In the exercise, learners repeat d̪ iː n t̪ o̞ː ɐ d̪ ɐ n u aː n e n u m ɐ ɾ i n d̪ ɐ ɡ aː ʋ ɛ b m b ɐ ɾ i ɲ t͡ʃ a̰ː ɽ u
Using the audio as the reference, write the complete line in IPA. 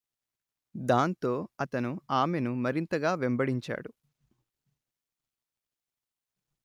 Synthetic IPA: d̪ aː n t̪ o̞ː ɐ t̪ ɐ n u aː m e n u m ɐ ɾ i n t̪ ɐ ɡ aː ʋ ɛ m b ɐ ɽ i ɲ t͡ʃ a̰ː ɽ u